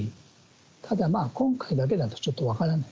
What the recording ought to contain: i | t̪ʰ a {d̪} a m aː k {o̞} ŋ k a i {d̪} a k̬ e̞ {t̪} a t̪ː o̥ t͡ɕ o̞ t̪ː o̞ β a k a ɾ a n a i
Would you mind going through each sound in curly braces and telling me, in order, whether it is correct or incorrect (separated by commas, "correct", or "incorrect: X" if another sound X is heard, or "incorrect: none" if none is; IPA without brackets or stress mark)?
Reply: correct, incorrect: õ̞, correct, incorrect: d̪